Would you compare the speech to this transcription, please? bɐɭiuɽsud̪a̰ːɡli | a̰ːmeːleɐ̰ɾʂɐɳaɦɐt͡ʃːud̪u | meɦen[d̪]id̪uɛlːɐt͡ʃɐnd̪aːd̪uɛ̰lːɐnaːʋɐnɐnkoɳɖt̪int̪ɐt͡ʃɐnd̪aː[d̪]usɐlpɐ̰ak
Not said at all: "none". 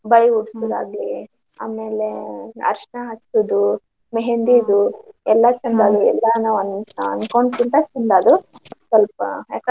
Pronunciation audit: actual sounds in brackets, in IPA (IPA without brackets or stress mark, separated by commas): d̪, d̪